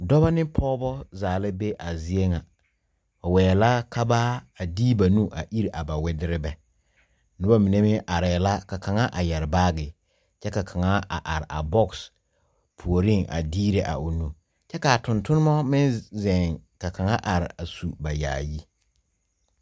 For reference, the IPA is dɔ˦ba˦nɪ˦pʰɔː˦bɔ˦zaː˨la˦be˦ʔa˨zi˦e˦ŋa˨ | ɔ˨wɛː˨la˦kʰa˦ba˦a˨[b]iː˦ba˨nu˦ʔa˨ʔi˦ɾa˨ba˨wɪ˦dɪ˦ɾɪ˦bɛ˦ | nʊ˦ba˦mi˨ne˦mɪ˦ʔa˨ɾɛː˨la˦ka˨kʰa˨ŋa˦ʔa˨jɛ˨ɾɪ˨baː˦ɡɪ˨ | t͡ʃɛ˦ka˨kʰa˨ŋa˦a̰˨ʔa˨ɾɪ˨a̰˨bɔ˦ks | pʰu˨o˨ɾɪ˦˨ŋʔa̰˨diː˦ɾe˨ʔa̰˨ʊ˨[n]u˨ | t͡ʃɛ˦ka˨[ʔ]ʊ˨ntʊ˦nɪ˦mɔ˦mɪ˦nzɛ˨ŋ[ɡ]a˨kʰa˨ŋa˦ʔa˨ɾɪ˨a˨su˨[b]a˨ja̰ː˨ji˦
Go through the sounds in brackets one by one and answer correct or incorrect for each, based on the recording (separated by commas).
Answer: incorrect, correct, incorrect, incorrect, correct